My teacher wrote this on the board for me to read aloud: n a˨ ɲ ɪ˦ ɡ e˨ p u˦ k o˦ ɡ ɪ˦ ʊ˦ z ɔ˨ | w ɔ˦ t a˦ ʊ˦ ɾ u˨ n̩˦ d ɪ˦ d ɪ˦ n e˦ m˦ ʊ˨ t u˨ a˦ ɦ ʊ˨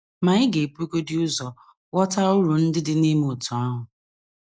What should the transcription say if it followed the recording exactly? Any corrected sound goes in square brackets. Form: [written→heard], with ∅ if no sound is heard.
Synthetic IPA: [n→m] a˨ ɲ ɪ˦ ɡ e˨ p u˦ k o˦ [ɡ→d] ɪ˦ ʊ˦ z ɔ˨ | w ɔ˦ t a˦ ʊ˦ ɾ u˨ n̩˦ d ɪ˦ d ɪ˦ n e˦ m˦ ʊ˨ t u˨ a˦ ɦ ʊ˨